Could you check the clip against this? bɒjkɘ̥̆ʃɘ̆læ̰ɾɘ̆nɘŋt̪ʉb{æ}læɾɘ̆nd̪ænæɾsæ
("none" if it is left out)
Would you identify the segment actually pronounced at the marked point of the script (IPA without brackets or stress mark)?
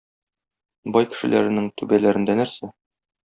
æ